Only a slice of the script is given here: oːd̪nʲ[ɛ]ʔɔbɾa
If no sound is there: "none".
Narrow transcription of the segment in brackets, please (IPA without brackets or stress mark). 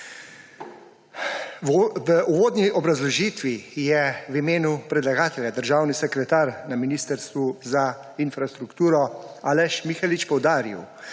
i